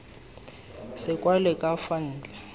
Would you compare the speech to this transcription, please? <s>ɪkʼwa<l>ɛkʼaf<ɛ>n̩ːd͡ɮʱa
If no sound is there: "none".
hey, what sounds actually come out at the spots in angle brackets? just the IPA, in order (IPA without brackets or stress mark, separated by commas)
s, l, a